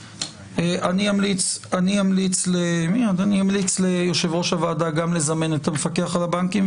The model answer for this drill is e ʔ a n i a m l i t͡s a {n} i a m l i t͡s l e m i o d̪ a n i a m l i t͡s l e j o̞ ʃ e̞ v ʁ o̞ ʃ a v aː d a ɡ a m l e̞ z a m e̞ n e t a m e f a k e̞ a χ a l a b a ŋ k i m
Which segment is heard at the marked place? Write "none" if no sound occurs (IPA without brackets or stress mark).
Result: n